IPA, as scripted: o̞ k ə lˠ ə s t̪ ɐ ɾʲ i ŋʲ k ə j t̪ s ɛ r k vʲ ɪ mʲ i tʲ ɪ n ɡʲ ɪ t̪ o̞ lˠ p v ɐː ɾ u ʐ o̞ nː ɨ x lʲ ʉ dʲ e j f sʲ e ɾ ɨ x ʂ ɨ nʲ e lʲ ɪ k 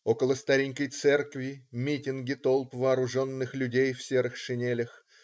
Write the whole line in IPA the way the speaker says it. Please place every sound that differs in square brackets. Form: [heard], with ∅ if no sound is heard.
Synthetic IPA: o̞ k ə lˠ ə s t̪ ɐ ɾʲ i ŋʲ k ə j t̪ s ɛ r k vʲ ɪ mʲ i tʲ ɪ n ɡʲ ɪ t̪ o̞ lˠ p v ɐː ɾ [ʊ] ʐ o̞ nː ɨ x lʲ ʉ dʲ e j f sʲ e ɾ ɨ x ʂ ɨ nʲ e lʲ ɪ [x]